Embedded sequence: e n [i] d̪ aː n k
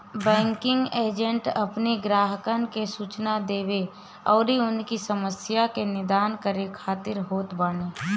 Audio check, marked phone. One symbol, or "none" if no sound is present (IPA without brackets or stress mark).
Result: ɪ